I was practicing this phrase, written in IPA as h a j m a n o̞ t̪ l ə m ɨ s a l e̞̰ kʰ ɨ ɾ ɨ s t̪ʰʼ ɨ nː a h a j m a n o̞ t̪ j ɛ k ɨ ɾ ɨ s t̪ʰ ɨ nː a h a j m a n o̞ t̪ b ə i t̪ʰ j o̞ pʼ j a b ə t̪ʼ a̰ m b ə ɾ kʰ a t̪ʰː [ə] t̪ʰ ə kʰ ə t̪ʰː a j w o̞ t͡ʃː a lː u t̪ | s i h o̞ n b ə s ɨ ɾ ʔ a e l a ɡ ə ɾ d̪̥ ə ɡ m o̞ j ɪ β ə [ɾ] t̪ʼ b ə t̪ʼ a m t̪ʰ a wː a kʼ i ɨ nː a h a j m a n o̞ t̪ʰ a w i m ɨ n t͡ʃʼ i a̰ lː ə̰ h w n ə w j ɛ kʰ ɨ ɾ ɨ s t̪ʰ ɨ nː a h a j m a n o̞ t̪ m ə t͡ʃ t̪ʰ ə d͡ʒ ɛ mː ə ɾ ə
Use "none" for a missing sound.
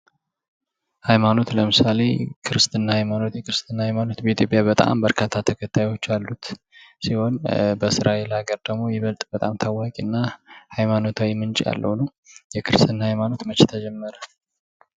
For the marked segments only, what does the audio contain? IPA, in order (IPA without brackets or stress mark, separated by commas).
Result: a, l